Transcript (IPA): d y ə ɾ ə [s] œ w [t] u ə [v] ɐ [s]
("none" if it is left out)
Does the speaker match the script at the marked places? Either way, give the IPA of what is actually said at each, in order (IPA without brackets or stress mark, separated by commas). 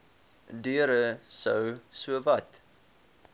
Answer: s, s, v, t